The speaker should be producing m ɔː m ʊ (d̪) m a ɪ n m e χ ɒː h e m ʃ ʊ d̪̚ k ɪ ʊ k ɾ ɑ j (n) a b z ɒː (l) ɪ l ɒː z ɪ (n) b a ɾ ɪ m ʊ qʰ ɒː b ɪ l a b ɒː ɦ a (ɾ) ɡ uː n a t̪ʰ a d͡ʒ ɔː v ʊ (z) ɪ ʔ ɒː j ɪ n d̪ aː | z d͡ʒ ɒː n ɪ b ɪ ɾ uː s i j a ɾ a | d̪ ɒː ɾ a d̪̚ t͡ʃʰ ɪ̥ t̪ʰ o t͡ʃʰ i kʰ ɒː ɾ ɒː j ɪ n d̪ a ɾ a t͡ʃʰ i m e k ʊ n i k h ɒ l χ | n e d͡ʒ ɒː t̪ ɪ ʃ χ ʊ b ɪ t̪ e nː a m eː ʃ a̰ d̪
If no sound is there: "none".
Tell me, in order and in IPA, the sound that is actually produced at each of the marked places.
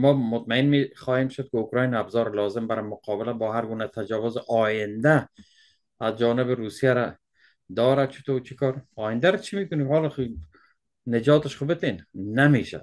t̪, n, ɾ, m, ɾ, z

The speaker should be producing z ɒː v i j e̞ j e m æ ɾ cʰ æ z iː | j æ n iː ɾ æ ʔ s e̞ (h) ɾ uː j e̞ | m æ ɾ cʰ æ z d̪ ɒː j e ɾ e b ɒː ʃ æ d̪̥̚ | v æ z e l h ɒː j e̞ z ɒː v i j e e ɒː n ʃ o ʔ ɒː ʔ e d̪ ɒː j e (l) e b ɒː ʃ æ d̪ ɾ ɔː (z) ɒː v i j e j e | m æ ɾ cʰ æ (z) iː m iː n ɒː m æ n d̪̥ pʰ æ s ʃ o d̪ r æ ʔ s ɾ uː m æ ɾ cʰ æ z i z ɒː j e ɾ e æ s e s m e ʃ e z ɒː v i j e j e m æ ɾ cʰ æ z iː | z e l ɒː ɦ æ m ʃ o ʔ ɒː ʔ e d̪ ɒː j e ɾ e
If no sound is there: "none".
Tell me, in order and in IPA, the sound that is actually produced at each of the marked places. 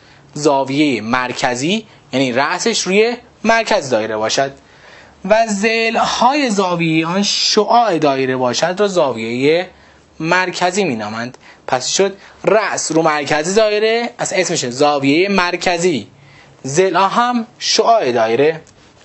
ʃ, ɾ, z, z

